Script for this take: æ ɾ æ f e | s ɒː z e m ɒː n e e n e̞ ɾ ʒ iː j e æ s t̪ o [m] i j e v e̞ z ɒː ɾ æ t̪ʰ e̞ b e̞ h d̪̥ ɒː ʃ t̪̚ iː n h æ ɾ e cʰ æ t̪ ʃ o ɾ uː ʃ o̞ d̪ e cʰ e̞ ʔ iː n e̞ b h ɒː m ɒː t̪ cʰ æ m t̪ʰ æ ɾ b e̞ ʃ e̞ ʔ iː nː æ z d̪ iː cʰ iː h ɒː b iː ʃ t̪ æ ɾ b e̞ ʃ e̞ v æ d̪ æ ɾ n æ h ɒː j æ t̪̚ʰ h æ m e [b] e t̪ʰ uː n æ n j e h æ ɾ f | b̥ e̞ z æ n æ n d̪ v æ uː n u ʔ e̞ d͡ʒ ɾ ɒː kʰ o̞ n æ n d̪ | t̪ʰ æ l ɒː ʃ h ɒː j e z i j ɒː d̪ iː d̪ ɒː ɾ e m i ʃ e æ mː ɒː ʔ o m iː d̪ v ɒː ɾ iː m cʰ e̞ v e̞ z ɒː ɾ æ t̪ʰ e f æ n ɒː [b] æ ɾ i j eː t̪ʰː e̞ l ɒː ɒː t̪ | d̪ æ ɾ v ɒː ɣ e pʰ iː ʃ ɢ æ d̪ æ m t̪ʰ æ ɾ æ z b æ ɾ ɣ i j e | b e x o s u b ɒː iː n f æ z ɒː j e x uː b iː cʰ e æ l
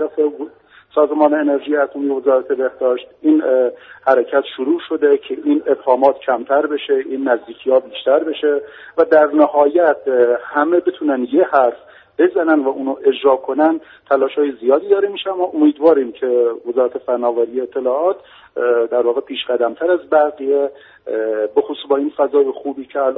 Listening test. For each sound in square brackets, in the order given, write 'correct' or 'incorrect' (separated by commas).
correct, correct, incorrect